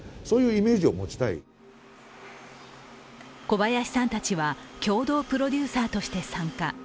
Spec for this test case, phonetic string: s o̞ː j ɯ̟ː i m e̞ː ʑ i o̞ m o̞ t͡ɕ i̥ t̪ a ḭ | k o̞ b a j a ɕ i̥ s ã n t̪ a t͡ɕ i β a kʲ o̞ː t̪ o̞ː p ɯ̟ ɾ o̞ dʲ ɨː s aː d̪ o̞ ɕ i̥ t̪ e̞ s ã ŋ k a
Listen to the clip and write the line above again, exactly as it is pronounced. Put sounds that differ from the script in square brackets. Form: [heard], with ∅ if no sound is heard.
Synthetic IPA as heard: s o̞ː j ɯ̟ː i m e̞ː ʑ i o̞ m o̞ t͡ɕ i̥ t̪ a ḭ | k o̞ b a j a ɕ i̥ s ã n t̪ a t͡ɕ i β a kʲ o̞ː [d̪] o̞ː p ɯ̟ ɾ o̞ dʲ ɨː s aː [t̪] o̞ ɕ i̥ t̪ e̞ s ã ŋ k a